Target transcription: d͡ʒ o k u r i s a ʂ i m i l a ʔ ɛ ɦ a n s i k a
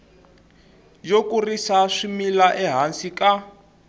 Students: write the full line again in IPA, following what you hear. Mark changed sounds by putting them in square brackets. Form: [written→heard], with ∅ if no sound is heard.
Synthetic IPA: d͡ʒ o k u r i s a ʂ i m i l a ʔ ɛ ɦ a n s i k a